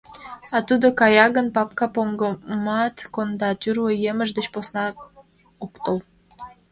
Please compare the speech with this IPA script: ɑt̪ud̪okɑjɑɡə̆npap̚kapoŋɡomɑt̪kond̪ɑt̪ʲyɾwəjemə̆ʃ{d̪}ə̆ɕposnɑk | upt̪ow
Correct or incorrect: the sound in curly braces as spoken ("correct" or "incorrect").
correct